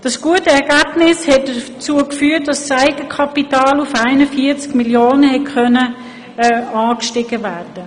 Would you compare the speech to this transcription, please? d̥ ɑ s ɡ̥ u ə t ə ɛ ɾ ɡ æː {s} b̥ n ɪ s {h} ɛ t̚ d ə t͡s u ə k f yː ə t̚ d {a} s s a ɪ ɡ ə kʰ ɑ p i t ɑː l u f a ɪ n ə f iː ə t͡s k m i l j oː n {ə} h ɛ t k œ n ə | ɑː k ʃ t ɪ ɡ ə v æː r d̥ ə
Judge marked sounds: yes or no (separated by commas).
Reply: no, yes, no, yes